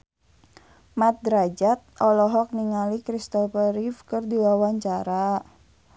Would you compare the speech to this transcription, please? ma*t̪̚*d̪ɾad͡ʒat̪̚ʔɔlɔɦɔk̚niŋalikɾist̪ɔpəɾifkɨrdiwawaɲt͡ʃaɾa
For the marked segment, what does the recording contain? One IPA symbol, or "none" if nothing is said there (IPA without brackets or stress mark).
t̪̚